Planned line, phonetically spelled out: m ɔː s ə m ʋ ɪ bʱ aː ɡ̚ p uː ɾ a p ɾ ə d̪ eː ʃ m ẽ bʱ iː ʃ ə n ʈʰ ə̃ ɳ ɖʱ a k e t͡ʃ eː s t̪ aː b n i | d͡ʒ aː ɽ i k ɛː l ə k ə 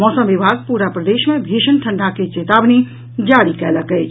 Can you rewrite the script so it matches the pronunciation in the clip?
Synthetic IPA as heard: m ɔː s ə m ʋ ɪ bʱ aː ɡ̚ p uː ɾ a p ɾ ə d̪ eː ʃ m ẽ bʱ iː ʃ ə n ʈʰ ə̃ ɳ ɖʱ a k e t͡ʃ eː t̪ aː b n i | d͡ʒ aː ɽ i k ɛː l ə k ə